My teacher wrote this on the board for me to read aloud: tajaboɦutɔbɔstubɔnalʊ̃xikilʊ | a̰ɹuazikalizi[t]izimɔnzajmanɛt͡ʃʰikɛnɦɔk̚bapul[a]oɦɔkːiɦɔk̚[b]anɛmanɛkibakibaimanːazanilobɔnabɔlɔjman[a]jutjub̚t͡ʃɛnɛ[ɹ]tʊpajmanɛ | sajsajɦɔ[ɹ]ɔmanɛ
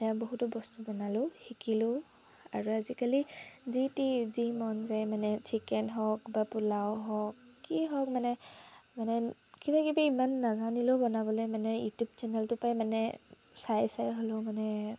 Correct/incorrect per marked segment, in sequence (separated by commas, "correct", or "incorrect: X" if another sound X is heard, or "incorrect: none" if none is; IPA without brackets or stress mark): correct, correct, incorrect: m, incorrect: ɛ, incorrect: l, incorrect: l